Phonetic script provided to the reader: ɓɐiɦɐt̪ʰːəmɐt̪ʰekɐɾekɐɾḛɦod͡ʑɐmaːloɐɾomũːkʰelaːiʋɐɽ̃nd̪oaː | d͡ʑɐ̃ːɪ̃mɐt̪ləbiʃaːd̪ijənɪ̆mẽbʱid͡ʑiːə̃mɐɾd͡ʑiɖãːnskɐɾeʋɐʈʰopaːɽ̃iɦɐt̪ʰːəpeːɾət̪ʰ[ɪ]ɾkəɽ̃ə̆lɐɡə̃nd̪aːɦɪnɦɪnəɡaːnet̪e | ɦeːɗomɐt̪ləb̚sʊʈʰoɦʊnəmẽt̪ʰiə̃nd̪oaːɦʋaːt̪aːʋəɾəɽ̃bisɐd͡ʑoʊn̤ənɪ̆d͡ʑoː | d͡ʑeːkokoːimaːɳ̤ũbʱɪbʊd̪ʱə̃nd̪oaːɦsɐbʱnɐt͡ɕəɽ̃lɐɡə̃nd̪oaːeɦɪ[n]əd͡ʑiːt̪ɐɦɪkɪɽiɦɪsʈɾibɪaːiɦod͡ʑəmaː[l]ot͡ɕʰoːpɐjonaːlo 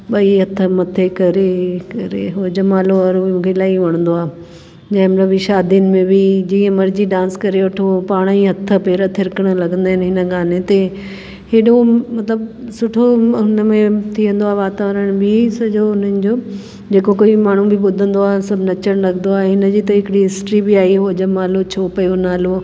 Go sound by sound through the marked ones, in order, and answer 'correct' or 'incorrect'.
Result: correct, correct, correct

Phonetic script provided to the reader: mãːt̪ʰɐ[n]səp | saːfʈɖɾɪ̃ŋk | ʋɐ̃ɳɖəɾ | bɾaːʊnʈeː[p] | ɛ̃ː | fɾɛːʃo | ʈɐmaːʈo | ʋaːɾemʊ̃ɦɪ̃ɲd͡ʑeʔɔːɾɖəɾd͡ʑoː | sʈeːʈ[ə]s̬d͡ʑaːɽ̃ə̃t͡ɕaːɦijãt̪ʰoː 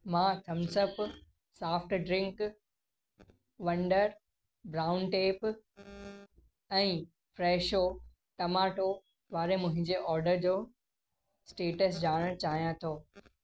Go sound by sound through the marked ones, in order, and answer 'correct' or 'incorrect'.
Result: incorrect: m, correct, correct

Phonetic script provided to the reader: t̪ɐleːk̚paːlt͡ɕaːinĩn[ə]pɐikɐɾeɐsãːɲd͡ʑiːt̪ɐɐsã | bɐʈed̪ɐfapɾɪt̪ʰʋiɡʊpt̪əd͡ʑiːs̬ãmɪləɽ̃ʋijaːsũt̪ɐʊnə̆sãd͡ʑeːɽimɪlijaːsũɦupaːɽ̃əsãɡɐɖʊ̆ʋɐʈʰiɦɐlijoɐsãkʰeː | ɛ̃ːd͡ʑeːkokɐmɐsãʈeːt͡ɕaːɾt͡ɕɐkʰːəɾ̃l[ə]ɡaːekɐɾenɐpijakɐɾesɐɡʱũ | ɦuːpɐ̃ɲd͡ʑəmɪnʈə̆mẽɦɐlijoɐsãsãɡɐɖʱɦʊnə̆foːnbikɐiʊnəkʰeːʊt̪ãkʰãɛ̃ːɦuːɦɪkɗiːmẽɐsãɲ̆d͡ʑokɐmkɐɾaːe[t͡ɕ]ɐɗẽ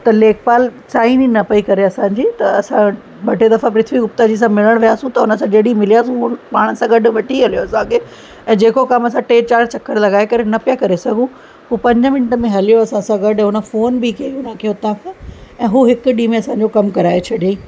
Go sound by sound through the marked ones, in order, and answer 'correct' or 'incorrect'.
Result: incorrect: ɐ, incorrect: ɐ, incorrect: t͡ɕʰ

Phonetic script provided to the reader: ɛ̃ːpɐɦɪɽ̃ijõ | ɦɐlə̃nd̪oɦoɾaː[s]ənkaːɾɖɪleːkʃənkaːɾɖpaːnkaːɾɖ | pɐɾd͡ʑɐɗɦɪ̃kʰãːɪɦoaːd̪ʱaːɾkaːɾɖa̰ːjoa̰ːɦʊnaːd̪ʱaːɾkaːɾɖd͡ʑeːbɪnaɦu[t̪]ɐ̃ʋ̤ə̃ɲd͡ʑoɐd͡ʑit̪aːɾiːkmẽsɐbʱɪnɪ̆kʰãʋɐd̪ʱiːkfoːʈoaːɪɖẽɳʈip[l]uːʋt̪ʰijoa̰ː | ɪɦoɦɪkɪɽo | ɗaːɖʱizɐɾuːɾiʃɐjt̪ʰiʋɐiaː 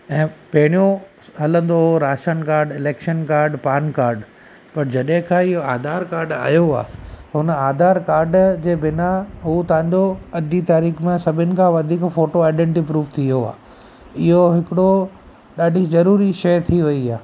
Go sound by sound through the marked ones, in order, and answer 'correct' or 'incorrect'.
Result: incorrect: ʃ, correct, incorrect: ɾ

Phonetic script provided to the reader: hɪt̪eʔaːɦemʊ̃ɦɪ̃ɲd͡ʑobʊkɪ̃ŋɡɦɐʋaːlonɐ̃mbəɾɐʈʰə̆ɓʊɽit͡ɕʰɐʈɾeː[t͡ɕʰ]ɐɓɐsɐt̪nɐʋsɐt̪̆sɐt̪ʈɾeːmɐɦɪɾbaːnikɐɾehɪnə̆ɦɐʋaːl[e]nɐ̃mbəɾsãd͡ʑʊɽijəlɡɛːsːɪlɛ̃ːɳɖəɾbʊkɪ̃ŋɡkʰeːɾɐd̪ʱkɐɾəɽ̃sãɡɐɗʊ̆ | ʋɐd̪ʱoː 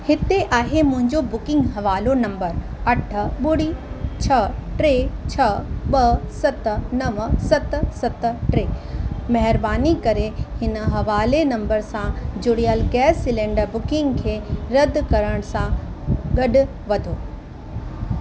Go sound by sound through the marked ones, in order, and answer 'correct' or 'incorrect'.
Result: correct, correct

